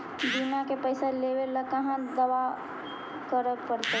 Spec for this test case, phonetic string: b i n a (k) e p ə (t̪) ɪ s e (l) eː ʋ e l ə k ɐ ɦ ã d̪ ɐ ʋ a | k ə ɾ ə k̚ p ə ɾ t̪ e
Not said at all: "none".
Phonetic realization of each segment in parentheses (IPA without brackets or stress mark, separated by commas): k, none, l